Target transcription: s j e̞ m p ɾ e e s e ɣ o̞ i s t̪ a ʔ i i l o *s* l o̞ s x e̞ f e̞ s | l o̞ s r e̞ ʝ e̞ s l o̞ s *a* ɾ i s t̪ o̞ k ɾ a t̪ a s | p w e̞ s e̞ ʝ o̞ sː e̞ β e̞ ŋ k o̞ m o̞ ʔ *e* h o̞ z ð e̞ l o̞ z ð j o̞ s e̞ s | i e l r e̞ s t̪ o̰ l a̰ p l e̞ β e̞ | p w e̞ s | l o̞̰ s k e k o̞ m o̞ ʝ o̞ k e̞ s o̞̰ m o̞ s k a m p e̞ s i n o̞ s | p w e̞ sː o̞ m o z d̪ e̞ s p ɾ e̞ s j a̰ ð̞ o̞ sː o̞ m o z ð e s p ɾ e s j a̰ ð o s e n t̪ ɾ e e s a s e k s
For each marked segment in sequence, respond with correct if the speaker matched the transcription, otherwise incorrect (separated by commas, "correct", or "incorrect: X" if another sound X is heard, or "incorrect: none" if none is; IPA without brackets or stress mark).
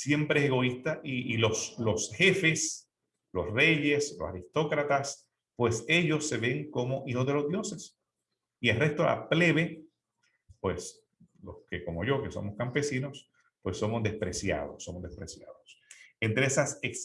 correct, correct, incorrect: i